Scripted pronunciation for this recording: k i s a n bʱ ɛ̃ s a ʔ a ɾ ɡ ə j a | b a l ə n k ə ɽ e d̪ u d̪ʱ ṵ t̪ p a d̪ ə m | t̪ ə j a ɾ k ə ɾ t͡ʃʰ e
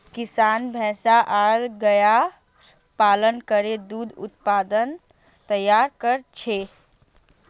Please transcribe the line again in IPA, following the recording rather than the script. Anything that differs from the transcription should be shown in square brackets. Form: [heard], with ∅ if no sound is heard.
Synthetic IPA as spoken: k i s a n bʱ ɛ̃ s a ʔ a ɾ ɡ ə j a | [p] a l ə n k ə [ɾ] e d̪ u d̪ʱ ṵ t̪ p a d̪ ə [n] | t̪ ə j a ɾ k ə ɾ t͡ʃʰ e